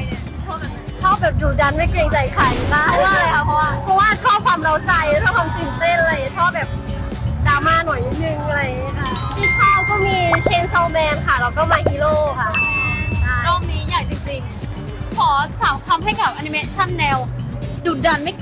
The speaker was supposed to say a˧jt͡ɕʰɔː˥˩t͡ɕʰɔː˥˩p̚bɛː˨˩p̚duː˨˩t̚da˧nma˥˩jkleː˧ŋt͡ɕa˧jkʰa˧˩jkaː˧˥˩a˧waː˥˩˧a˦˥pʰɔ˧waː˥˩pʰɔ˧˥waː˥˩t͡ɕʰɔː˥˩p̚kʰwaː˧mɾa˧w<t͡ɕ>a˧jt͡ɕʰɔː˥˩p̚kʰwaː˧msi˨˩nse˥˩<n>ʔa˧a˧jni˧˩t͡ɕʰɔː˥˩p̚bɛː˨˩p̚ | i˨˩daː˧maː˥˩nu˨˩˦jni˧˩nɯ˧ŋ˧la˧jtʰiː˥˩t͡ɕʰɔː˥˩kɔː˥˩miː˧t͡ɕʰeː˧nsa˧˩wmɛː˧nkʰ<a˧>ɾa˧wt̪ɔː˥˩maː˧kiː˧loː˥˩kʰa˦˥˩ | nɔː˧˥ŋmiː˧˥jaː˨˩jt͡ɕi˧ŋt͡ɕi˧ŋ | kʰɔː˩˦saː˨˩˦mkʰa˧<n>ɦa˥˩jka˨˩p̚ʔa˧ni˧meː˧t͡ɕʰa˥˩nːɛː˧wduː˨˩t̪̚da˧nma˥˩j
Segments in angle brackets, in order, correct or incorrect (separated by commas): correct, correct, incorrect, incorrect